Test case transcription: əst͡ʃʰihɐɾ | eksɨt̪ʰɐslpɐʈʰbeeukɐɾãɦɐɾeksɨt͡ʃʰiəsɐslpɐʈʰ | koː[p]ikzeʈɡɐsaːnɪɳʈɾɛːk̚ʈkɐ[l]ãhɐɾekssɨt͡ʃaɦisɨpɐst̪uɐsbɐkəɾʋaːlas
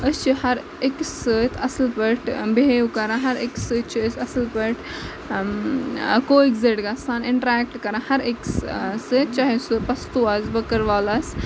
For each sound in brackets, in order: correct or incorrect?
incorrect: none, incorrect: ɾ

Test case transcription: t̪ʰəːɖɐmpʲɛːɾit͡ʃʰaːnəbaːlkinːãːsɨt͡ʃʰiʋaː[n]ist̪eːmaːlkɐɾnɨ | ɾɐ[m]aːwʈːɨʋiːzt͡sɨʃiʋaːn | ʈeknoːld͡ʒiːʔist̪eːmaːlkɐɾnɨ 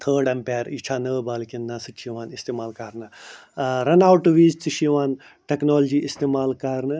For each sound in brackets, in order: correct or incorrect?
correct, incorrect: n

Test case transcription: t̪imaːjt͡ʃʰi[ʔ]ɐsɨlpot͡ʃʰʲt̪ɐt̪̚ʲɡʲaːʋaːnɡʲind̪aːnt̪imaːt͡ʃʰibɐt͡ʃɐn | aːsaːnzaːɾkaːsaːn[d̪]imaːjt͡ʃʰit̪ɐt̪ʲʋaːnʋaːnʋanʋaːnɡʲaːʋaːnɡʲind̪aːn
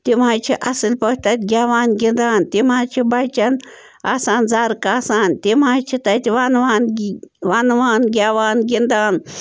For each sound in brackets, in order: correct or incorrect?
correct, incorrect: t̪

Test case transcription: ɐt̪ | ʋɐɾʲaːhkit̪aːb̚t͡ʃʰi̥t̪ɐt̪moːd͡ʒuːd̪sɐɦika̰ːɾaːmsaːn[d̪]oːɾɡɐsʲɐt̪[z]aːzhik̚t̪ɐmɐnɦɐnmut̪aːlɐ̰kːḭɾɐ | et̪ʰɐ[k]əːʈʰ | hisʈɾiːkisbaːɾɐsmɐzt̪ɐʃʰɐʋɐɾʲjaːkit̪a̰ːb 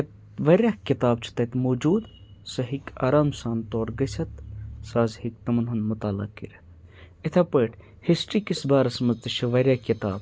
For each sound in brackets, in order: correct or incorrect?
incorrect: t̪, incorrect: s, incorrect: p

